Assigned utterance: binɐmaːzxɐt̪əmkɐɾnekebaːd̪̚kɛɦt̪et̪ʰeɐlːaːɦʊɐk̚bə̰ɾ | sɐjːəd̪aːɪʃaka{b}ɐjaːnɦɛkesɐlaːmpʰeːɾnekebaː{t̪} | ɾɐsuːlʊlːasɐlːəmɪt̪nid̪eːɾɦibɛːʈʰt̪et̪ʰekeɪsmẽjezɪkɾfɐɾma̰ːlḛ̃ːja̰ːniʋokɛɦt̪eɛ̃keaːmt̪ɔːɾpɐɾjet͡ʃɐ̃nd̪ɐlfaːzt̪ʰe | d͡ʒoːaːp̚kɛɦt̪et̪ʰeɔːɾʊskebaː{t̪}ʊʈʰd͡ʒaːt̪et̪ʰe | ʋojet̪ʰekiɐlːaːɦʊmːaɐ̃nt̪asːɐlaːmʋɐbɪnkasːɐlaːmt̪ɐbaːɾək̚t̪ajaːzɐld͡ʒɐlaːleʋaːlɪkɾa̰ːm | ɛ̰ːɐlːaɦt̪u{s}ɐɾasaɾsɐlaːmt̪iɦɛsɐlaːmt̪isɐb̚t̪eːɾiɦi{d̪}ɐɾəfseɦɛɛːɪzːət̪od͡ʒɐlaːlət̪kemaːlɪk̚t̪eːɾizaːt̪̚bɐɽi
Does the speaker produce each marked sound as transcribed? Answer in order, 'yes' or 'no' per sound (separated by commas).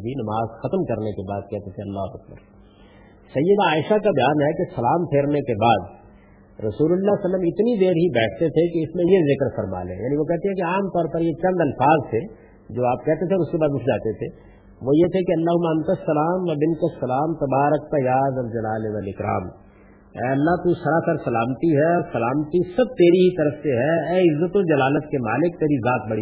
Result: yes, no, no, yes, no